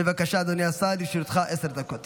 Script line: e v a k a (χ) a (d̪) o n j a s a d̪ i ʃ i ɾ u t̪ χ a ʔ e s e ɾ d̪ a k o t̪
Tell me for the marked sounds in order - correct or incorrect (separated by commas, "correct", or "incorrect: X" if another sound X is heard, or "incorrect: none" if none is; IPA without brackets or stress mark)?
incorrect: ʃ, correct